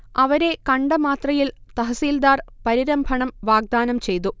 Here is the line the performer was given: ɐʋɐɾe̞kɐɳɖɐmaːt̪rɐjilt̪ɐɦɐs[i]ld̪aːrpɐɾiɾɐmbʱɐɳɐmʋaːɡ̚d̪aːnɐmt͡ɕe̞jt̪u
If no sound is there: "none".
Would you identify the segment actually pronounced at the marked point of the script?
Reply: iː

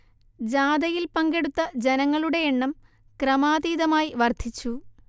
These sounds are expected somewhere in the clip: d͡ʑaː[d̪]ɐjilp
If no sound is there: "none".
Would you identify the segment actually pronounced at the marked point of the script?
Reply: d̪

